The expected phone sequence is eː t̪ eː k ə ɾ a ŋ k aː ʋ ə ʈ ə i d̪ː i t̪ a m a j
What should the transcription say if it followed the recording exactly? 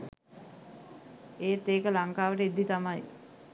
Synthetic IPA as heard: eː t̪ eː k ə l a ŋ k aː ʋ ə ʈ ə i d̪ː i t̪ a m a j